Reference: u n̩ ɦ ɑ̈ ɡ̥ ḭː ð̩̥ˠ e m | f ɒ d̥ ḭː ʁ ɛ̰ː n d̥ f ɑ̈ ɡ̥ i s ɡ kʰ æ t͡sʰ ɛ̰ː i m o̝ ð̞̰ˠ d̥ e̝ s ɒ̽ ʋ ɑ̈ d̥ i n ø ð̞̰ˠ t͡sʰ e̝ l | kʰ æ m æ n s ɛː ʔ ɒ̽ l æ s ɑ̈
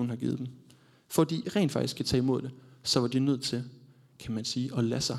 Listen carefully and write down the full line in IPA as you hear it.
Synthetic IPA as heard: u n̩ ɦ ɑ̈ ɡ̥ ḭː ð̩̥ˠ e m | f ɒ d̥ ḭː ʁ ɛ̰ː n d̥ f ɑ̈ ɡ̥ i s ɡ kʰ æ t͡sʰ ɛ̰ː i m o̝ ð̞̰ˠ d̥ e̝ s ɒ̽ ʋ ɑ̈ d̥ i n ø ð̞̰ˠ t͡sʰ e̝ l | kʰ æ m æ n s iː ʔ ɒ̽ l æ s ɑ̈